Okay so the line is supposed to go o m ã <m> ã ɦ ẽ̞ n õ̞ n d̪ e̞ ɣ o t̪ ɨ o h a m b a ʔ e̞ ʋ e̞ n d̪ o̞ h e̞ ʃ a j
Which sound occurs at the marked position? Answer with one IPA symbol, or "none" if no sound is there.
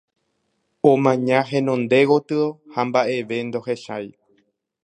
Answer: ɲ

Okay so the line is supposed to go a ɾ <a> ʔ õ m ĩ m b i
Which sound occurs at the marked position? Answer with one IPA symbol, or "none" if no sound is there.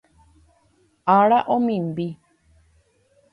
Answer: a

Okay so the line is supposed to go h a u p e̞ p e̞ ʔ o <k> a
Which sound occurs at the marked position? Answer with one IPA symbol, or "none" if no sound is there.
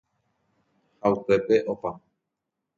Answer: p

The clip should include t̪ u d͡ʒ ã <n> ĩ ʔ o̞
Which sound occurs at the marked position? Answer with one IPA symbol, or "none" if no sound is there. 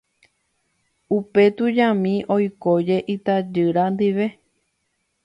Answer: m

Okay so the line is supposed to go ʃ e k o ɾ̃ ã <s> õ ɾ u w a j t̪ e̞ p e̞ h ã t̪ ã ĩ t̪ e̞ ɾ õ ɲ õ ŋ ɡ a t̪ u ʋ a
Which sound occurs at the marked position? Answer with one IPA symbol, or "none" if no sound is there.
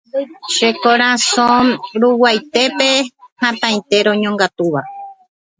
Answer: s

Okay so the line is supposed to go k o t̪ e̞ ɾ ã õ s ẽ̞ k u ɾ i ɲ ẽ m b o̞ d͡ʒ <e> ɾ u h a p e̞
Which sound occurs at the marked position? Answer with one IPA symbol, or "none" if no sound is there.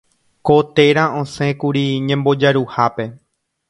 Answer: a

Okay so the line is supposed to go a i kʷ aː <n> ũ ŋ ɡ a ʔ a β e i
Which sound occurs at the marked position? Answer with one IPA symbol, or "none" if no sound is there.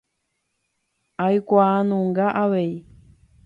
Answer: n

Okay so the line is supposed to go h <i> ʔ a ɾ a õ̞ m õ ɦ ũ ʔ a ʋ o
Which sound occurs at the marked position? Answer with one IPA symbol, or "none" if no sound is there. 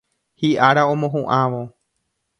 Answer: i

